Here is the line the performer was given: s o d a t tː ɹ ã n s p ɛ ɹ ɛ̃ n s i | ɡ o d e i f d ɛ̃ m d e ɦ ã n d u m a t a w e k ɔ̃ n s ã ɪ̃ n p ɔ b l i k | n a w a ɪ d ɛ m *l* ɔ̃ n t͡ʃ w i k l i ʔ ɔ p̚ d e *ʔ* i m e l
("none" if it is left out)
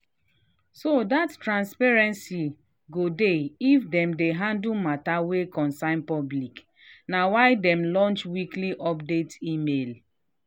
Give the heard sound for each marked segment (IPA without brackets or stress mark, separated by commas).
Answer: l, t